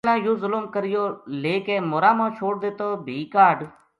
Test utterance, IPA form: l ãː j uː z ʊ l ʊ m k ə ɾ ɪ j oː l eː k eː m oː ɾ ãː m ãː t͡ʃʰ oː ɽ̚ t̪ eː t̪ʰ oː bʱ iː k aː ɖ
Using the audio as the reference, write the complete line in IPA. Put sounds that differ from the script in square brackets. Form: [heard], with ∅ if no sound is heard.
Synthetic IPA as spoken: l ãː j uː z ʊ l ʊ m k ə ɾ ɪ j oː l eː k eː m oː ɾ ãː m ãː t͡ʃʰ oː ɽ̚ [d̪] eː [t̪] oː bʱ iː k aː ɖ

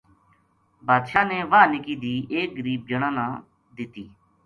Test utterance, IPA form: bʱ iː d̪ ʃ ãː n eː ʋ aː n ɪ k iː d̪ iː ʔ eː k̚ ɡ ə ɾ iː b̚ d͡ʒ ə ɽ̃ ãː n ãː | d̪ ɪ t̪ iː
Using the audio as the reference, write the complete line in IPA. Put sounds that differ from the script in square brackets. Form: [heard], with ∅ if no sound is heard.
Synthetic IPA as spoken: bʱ [aː] d̪ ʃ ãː n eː ʋ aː n ɪ k iː d̪ iː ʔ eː k̚ ɡ ə ɾ iː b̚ d͡ʒ ə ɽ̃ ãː n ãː | d̪ ɪ t̪ iː

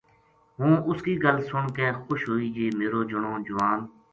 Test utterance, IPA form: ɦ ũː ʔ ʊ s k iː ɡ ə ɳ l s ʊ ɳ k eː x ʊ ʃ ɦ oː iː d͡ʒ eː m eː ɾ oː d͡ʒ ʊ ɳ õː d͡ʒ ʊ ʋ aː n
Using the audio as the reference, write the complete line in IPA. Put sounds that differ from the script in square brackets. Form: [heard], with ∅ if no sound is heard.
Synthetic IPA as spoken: ɦ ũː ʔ ʊ s k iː ɡ ə [∅] l s ʊ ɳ k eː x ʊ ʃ ɦ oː iː d͡ʒ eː m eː ɾ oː d͡ʒ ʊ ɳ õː d͡ʒ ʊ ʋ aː n

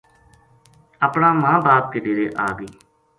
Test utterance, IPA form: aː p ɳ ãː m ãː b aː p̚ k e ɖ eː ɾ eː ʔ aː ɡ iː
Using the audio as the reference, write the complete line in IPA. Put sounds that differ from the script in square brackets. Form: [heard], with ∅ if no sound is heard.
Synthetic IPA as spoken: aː p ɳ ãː m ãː b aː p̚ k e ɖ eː ɾ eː ʔ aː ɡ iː

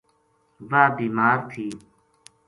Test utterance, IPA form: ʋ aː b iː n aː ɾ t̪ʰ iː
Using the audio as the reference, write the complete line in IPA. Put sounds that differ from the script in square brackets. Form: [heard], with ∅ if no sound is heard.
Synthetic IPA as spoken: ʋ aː b iː [m] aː ɾ t̪ʰ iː

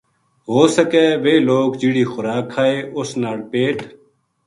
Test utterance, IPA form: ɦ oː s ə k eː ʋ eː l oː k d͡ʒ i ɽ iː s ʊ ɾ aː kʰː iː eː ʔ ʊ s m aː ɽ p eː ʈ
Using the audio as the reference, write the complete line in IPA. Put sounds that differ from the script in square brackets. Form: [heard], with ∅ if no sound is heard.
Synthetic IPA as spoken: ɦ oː s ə k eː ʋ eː l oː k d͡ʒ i ɽ iː [x] ʊ ɾ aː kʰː [aː] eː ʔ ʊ s [n] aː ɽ p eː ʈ

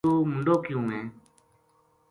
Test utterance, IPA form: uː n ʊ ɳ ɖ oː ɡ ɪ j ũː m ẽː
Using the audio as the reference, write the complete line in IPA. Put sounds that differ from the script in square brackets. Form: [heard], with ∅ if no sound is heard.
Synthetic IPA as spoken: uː [m] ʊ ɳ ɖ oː [k] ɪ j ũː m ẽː

